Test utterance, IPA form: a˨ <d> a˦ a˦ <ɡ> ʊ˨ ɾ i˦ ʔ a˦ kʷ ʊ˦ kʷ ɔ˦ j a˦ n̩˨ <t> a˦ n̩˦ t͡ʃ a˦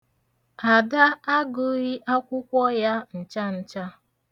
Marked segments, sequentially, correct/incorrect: correct, correct, incorrect

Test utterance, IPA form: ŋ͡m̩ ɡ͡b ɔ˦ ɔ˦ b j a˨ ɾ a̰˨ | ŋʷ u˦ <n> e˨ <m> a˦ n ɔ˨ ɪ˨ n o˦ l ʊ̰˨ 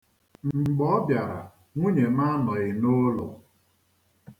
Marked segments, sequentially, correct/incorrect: incorrect, correct

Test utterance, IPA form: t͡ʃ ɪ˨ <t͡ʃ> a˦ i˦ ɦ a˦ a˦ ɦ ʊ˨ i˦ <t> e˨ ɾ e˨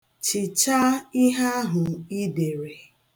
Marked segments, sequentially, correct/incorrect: correct, incorrect

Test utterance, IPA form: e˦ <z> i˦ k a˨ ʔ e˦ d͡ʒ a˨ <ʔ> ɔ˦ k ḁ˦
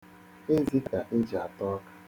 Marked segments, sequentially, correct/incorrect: correct, incorrect

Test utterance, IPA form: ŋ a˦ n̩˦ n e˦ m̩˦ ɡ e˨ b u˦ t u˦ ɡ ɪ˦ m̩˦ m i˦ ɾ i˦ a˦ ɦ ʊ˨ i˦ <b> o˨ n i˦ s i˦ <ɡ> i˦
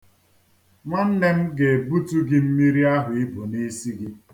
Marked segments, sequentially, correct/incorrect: correct, correct

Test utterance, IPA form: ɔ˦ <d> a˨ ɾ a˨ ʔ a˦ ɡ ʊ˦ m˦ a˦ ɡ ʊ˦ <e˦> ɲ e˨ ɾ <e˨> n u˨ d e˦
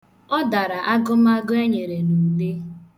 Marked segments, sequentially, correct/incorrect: correct, correct, correct

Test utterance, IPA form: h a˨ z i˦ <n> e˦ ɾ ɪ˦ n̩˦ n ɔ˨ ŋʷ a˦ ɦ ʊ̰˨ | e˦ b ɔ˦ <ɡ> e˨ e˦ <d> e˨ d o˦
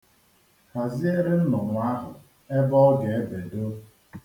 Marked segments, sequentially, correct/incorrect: incorrect, correct, incorrect

